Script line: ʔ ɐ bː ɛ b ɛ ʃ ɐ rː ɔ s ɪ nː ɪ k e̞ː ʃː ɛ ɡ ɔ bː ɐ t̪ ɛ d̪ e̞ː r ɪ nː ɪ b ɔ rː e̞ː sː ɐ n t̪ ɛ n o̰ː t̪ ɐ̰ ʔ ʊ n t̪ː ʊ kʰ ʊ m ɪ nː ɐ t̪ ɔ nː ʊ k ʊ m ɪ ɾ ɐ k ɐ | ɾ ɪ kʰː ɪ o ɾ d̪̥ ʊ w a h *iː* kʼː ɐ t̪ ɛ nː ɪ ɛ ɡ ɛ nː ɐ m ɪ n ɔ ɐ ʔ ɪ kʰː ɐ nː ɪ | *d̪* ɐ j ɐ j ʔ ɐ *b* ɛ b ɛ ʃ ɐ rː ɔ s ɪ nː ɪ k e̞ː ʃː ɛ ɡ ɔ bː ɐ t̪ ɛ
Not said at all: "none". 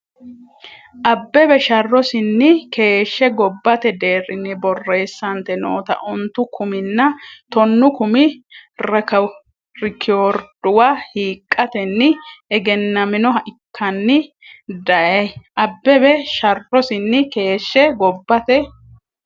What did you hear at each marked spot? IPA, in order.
iː, d̪, bː

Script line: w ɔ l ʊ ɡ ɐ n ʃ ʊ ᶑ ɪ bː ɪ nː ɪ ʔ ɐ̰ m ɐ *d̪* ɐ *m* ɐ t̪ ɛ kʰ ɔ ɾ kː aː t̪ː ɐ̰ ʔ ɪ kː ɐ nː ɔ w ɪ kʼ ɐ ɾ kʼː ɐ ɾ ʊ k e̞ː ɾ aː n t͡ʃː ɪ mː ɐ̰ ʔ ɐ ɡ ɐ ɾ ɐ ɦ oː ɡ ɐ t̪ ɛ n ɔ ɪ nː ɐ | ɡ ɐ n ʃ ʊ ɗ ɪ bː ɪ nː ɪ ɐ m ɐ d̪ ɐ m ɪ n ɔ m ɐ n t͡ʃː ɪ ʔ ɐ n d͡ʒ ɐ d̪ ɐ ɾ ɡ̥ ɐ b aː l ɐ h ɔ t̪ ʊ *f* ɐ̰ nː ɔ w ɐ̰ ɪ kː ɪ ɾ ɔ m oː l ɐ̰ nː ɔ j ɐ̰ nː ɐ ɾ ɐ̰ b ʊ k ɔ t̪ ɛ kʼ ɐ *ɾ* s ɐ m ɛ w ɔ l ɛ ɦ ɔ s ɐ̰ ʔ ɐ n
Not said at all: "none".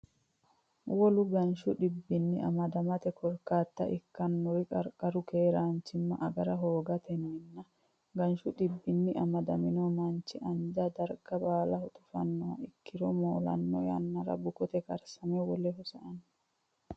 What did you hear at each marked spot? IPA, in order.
d̪, m, f, ɾ

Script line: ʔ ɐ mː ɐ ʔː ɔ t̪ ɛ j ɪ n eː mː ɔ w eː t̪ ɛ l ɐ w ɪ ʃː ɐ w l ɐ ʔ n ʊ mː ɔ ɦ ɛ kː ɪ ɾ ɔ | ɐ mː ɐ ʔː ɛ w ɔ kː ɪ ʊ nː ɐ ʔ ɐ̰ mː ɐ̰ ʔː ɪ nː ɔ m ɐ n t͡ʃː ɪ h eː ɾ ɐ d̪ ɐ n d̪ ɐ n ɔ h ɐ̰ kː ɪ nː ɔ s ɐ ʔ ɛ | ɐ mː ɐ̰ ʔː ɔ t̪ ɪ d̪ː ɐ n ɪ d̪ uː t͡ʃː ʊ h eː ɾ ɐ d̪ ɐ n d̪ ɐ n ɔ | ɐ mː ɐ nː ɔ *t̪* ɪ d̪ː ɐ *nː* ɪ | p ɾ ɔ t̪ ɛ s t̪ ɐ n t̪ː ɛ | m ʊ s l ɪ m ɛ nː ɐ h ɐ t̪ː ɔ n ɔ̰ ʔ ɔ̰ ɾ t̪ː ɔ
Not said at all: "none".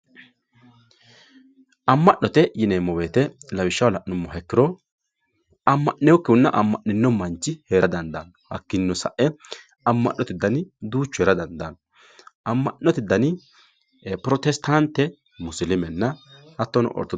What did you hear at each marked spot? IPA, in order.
t̪, n

